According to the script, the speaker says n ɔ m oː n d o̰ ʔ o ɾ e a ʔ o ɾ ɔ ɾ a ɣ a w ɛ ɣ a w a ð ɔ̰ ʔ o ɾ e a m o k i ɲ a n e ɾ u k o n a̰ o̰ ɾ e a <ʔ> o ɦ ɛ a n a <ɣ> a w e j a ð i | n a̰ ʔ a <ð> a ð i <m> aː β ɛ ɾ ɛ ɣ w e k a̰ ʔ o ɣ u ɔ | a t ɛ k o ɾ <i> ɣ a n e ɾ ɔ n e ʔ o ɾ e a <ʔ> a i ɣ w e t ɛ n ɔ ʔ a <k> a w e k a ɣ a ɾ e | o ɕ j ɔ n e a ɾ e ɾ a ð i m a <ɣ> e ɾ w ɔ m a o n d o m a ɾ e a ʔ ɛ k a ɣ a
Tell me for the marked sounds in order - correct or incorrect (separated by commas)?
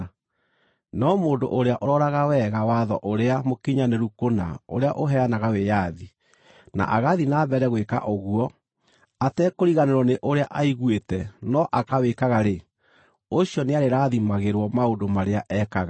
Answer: correct, correct, incorrect, incorrect, correct, correct, correct, correct